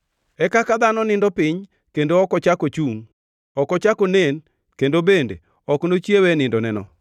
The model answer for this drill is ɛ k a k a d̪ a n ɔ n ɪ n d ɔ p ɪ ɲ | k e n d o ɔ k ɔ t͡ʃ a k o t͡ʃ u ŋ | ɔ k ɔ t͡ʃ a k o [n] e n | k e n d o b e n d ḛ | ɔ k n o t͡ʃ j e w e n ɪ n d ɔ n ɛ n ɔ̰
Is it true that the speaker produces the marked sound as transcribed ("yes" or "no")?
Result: yes